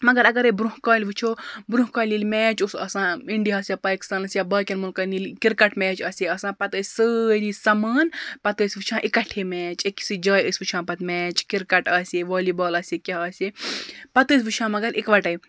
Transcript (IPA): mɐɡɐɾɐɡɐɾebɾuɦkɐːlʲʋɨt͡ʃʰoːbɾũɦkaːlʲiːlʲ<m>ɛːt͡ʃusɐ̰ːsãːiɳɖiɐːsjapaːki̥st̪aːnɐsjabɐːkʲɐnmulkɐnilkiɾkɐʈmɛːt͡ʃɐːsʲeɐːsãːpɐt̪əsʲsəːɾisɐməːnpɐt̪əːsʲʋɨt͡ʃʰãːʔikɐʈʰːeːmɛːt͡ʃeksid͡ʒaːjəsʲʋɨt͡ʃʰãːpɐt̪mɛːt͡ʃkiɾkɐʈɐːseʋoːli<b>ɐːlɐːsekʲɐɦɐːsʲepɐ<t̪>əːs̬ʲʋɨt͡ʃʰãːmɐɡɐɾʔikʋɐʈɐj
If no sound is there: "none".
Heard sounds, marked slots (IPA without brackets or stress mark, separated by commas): m, b, t̪